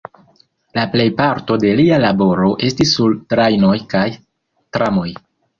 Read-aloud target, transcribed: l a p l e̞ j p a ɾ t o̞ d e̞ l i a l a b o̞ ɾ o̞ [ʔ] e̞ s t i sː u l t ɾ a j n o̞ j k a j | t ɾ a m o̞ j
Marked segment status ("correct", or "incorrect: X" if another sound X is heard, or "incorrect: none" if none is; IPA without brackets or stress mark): correct